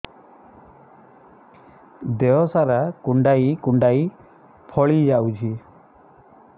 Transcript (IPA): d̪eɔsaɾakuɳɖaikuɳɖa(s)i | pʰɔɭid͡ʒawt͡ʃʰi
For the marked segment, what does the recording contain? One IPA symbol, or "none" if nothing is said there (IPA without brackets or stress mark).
none